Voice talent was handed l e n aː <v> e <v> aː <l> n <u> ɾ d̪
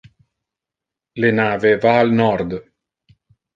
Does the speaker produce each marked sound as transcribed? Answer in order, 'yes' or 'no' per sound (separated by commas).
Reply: yes, yes, yes, no